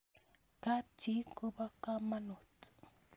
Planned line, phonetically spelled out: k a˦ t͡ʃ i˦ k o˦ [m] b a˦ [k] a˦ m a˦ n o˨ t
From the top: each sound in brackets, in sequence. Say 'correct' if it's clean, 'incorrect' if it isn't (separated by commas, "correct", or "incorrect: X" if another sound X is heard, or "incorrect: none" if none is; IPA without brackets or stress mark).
incorrect: none, correct